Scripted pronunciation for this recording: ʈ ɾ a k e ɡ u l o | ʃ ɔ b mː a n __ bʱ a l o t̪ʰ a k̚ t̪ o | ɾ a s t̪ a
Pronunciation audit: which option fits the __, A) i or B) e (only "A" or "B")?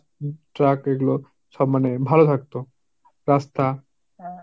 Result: B